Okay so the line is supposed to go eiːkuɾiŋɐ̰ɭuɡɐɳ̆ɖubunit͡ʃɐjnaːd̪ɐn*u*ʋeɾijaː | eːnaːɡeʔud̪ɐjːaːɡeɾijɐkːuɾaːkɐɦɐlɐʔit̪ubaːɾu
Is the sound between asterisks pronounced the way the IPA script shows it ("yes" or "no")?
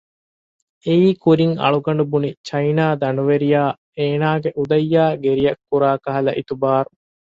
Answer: yes